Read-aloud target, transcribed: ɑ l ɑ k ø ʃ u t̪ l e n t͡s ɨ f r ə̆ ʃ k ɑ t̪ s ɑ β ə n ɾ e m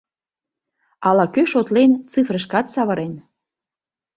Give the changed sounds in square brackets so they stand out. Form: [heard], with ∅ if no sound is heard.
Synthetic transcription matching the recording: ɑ l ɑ k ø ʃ [o] t̪ l e n t͡s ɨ f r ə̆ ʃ k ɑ t̪ s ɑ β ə [∅] ɾ e [n]